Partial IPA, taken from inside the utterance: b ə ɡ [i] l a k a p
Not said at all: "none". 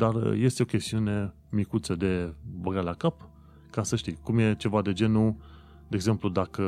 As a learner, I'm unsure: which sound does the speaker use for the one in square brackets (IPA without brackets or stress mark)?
a